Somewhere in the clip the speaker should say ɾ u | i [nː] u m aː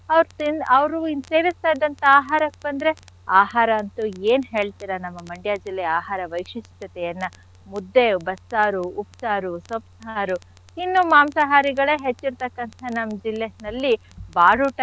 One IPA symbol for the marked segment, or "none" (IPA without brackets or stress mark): nː